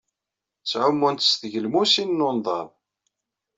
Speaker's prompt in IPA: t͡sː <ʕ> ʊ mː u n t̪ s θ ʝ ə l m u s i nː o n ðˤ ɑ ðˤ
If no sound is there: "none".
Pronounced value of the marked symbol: ʕ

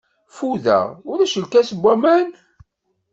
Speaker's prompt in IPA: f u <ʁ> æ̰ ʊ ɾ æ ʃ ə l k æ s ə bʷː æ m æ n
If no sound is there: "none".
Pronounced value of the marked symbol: ð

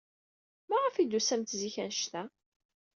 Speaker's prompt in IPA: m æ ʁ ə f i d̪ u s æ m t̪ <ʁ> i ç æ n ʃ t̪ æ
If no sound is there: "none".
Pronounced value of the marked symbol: z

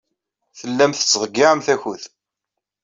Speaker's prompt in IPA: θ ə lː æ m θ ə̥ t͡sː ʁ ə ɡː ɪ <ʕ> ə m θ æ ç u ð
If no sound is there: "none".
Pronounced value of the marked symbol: ʕ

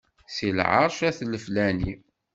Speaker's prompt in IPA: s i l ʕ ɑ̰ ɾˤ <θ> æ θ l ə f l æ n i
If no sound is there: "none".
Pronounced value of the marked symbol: ʃ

